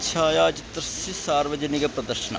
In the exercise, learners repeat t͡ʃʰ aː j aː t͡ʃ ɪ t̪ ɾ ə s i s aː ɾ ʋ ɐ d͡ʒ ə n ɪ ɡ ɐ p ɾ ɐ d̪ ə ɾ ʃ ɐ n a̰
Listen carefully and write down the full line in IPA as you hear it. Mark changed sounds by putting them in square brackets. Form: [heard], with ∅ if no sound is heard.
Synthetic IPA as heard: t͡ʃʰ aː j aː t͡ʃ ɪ t̪ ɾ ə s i s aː ɾ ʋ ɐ d͡ʒ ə n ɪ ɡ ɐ p ɾ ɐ d̪ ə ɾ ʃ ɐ n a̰